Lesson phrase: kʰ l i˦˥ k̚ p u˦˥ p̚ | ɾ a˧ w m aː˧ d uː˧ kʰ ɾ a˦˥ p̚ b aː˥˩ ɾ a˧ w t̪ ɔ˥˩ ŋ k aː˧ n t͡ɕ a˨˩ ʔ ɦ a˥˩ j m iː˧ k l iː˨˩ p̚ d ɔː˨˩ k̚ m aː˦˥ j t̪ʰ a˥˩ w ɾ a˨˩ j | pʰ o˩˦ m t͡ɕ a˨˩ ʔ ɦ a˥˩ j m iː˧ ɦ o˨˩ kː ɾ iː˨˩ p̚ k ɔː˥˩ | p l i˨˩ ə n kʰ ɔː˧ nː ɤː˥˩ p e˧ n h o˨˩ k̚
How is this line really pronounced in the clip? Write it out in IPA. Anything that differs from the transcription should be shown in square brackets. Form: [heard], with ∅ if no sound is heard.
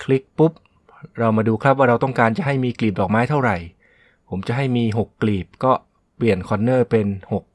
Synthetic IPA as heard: kʰ l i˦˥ k̚ p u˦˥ p̚ | ɾ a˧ w m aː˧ d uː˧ kʰ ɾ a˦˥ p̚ [w] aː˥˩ ɾ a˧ w t̪ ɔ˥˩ ŋ k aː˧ n t͡ɕ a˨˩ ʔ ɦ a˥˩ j m iː˧ k l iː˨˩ p̚ d ɔː˨˩ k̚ m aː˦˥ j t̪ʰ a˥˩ w ɾ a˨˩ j | pʰ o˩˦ m t͡ɕ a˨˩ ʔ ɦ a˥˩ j m iː˧ ɦ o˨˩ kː [l] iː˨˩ p̚ k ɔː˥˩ | p l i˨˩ ə n kʰ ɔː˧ nː ɤː˥˩ p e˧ n h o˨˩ k̚